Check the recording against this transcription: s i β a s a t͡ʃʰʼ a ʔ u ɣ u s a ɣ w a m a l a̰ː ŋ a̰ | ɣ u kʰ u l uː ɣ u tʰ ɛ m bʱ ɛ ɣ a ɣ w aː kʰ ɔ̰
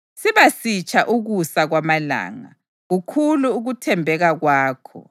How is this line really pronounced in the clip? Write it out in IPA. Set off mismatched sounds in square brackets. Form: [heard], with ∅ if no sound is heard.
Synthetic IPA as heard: s i β a s [i] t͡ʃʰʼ a ʔ u ɣ u s a ɣ w a m a l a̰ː ŋ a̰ | ɣ u kʰ u l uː ɣ u tʰ ɛ m bʱ ɛ ɣ a ɣ w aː kʰ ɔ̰